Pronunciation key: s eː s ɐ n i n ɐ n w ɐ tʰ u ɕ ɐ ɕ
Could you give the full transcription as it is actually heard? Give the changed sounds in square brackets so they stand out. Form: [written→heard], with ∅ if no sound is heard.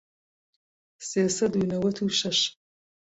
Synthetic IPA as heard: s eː s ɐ [n→d] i n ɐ [n→∅] w ɐ tʰ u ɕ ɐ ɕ